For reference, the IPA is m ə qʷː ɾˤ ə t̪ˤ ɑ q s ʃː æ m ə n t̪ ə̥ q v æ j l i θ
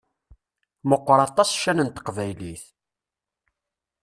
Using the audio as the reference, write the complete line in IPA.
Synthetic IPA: m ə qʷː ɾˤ ɑ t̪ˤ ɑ s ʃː æ n ə n t̪ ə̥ q v æ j l i θ